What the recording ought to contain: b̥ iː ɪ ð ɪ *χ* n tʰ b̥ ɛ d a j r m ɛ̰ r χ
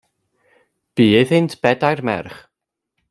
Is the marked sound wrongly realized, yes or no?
yes